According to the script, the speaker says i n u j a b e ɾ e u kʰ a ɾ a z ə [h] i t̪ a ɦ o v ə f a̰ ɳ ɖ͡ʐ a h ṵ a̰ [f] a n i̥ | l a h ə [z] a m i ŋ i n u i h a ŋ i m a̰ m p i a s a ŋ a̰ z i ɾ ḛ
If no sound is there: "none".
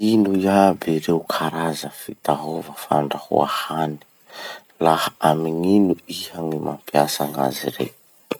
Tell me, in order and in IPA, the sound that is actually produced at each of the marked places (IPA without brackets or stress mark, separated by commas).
f, h, none